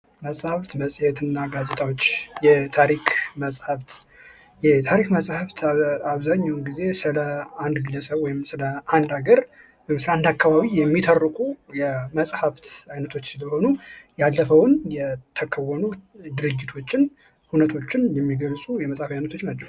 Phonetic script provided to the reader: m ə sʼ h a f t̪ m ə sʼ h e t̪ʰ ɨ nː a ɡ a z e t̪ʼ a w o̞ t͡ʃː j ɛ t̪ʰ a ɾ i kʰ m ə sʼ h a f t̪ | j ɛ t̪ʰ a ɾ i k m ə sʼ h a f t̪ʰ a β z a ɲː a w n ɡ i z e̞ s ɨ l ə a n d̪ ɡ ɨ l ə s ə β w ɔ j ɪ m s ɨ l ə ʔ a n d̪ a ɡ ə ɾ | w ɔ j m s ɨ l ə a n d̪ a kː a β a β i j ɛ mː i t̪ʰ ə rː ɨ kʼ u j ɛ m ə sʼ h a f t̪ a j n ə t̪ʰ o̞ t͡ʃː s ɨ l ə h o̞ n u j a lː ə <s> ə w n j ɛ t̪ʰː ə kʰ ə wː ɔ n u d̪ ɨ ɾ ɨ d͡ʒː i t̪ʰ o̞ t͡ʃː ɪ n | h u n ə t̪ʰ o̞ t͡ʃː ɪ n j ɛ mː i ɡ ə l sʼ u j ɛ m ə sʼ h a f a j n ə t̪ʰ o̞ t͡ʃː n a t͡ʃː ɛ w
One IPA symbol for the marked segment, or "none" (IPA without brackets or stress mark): f